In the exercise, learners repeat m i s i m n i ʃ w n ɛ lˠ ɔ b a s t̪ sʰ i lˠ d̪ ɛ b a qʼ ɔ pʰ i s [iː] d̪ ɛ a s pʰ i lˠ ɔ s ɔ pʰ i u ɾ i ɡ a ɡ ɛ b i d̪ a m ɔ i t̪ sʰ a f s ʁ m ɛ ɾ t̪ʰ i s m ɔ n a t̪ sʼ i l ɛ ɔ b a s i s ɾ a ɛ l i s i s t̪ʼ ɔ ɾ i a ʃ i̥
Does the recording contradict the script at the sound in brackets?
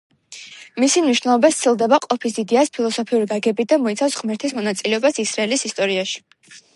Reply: yes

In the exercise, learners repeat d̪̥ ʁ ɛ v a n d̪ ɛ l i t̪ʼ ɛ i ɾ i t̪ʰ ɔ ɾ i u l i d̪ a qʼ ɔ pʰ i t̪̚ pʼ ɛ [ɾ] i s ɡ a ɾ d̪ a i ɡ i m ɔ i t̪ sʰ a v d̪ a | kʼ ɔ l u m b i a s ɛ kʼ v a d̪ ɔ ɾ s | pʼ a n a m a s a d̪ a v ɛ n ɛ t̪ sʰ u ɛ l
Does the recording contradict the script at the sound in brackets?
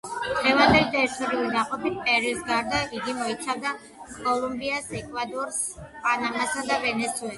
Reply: no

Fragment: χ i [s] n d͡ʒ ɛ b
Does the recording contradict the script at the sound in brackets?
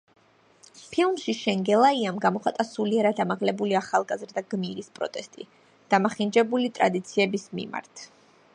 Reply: yes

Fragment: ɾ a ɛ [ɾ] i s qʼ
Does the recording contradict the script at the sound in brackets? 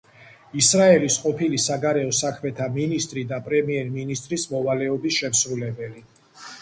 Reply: yes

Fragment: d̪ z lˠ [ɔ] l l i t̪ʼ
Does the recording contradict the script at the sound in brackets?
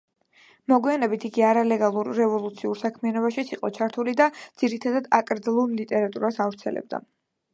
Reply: yes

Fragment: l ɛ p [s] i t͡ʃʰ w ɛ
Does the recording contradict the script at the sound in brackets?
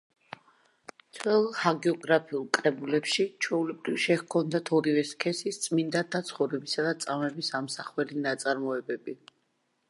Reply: yes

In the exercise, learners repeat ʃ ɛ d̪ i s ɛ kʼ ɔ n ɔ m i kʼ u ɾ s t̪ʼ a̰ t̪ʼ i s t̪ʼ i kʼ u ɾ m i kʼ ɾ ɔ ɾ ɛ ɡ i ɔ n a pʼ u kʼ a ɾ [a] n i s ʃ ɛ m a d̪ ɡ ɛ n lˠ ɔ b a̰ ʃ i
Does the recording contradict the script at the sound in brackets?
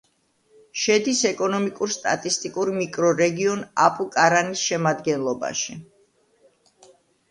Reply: no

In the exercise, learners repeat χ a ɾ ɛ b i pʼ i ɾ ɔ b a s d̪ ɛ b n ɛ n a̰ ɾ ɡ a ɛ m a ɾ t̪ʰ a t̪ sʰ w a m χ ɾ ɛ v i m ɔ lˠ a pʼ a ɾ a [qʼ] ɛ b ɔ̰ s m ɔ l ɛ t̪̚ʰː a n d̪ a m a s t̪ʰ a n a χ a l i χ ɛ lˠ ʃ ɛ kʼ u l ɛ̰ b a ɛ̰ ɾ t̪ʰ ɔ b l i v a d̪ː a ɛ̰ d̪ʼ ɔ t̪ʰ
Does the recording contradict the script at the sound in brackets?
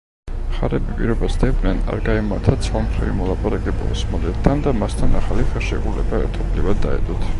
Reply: yes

